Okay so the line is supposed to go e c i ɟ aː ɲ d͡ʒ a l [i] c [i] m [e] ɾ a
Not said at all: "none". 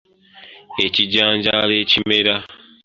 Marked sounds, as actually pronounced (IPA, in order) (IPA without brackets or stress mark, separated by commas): e, i, e